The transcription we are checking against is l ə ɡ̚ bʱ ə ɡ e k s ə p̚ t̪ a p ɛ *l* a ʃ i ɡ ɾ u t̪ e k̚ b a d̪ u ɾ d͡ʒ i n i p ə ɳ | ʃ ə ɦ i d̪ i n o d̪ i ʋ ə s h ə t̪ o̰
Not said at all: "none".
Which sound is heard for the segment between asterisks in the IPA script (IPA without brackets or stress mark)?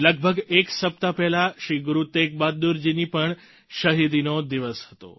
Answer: l